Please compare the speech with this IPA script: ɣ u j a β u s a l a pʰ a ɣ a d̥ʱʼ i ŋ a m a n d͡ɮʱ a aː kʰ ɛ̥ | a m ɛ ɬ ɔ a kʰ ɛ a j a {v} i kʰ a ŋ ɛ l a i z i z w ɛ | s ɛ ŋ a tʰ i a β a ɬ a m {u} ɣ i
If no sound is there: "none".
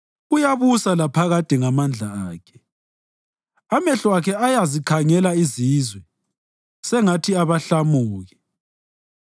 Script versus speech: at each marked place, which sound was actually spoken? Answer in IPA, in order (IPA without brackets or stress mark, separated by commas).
z, uː